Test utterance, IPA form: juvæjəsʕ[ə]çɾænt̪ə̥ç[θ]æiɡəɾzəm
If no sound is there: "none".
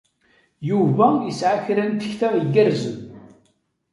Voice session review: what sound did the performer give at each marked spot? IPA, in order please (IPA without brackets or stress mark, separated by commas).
a, θ